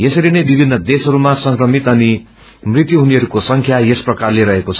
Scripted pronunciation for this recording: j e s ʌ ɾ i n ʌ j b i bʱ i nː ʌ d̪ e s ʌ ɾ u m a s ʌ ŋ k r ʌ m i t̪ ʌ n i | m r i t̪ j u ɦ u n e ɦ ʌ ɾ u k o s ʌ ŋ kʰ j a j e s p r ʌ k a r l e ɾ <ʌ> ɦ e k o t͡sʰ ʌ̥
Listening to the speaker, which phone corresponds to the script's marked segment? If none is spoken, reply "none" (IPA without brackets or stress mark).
ʌ